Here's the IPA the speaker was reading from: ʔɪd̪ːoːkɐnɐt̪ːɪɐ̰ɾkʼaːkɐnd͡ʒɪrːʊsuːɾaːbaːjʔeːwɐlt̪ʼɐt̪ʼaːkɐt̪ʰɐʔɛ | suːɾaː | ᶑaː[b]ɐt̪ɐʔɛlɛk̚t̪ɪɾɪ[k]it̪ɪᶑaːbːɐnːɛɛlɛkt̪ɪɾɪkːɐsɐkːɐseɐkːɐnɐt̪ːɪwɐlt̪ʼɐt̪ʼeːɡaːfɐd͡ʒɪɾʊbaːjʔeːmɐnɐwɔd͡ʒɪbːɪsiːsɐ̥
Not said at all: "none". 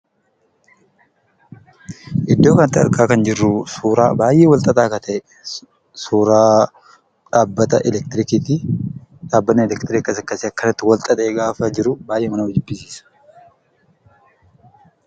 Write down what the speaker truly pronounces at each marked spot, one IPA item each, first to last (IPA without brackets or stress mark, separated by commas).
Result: bː, k